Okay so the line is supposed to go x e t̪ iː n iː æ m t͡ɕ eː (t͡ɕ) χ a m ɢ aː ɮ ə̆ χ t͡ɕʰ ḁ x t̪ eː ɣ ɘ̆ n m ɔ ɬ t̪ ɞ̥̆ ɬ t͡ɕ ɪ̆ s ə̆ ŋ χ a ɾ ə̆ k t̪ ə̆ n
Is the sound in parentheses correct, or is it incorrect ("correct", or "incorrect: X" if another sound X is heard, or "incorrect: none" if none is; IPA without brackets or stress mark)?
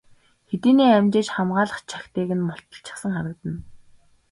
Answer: correct